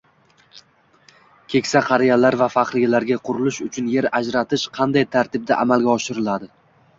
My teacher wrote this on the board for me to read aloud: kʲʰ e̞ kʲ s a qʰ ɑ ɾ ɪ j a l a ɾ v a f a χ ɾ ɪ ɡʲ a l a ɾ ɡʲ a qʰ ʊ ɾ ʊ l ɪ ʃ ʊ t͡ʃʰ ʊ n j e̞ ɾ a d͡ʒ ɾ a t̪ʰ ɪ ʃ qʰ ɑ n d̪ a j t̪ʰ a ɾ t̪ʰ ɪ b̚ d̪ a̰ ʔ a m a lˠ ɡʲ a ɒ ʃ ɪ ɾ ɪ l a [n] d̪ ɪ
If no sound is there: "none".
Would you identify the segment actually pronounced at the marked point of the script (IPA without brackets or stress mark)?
none